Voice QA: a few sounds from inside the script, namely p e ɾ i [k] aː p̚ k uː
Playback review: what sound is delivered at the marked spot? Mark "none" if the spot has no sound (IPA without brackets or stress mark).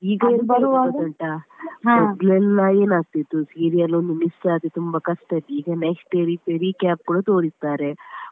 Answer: k